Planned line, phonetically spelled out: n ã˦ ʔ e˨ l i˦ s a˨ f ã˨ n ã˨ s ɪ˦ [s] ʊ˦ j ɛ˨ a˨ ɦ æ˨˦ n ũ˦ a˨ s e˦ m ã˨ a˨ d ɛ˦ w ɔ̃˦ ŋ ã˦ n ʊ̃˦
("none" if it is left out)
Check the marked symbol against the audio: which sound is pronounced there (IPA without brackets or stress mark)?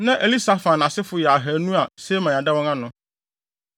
f